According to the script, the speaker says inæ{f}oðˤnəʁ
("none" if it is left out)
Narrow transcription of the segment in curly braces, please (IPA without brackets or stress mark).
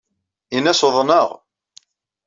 s